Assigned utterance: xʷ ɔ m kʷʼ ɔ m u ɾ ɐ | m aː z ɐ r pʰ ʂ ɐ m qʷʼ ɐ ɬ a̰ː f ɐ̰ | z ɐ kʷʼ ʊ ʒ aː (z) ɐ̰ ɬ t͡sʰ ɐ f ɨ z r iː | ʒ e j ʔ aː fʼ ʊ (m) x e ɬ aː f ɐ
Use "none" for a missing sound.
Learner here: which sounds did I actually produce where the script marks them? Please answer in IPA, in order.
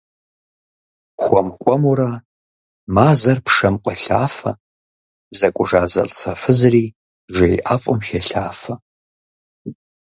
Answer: z, m

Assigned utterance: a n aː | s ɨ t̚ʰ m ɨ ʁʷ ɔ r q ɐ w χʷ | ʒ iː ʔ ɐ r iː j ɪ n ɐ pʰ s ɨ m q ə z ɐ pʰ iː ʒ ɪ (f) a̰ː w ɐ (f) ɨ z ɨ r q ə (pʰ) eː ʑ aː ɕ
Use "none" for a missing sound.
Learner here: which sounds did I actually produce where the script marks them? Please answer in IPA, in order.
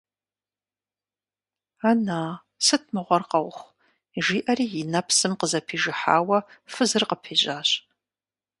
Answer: ħ, f, pʰ

